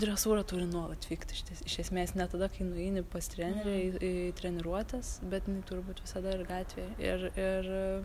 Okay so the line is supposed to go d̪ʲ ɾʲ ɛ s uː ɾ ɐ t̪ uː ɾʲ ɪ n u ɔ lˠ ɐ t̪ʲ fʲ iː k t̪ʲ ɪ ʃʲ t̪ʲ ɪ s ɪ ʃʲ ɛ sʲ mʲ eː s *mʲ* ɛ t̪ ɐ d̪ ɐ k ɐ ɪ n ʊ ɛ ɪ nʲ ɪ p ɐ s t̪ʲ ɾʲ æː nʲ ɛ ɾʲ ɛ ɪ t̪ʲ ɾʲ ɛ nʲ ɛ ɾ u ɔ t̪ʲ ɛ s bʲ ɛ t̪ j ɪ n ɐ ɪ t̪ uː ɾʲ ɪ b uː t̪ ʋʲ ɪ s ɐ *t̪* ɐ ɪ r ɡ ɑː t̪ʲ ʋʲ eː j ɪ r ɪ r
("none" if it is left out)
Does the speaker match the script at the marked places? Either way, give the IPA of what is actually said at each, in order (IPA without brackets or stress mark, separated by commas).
nʲ, d̪